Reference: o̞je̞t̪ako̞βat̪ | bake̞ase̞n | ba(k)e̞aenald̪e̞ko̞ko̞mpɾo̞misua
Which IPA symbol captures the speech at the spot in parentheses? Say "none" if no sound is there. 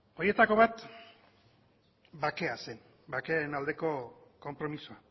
k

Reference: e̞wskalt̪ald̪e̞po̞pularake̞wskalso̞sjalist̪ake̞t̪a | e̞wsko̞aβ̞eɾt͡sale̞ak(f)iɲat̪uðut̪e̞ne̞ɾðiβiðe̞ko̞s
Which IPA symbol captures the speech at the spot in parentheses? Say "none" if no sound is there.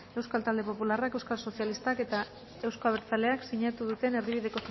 s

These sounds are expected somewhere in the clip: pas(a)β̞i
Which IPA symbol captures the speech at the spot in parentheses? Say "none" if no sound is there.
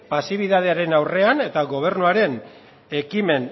i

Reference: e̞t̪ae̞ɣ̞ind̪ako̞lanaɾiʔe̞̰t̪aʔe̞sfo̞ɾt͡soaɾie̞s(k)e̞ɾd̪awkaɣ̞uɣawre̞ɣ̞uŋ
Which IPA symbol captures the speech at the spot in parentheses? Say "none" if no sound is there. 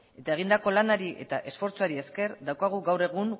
k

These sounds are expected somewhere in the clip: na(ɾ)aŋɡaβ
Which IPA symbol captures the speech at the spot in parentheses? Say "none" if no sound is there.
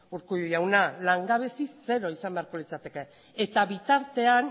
l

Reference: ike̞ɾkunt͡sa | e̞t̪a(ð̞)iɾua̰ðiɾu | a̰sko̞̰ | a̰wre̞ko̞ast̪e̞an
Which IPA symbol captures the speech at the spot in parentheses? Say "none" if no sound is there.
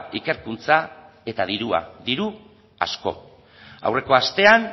ð̞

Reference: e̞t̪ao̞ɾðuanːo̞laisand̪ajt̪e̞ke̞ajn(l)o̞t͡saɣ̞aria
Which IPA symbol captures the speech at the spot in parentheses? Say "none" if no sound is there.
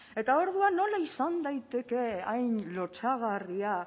l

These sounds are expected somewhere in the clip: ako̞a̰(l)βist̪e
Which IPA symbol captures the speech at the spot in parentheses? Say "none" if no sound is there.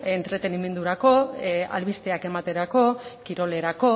l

